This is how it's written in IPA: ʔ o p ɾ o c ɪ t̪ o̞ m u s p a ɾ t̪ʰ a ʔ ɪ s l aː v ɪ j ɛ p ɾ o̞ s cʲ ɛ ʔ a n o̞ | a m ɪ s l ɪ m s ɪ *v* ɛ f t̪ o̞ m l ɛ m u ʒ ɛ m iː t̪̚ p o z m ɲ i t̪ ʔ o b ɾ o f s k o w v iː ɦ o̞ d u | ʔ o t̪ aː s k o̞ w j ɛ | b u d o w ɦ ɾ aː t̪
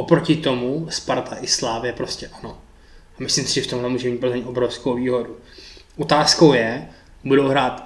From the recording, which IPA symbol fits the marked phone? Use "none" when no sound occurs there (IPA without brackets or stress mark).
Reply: ʒ